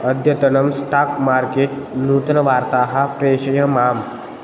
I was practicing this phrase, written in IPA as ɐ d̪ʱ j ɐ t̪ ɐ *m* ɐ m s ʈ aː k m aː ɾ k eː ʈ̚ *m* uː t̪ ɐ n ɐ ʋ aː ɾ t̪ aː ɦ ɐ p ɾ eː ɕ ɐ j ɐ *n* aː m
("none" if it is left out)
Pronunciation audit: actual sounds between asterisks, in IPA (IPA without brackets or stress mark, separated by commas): n, n, m